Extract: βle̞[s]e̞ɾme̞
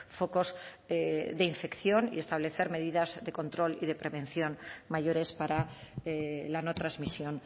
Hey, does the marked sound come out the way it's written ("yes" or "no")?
no